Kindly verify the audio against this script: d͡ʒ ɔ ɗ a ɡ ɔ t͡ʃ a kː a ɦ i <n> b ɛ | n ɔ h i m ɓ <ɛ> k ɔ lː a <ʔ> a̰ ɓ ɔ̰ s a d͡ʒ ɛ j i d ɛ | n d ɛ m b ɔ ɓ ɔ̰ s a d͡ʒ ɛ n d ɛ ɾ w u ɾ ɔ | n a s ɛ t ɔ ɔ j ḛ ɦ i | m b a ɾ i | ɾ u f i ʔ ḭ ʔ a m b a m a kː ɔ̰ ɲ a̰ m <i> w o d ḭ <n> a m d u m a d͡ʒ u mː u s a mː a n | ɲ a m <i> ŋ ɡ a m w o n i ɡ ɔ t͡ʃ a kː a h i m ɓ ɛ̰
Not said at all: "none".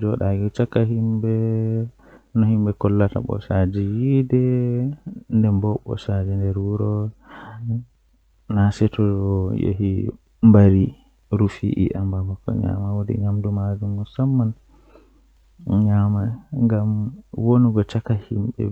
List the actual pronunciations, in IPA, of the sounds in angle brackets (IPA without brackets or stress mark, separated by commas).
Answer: m, ɛ, t, a, ɲ, a